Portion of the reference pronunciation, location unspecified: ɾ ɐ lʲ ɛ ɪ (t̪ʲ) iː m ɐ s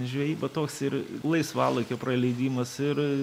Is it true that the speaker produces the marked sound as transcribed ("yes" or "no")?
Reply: no